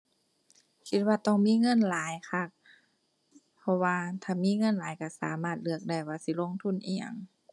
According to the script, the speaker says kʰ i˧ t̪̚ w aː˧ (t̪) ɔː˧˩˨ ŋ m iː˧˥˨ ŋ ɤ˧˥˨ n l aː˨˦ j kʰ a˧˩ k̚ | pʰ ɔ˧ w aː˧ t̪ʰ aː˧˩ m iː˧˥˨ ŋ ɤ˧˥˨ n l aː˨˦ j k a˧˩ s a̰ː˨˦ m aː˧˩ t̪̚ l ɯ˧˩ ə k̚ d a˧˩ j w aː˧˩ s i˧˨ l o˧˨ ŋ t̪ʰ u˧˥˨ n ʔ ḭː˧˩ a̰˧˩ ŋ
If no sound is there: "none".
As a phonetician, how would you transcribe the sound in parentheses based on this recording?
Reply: t̪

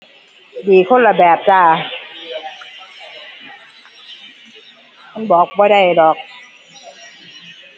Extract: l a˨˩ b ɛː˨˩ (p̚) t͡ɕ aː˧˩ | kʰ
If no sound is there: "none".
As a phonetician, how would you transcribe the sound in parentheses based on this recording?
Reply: p̚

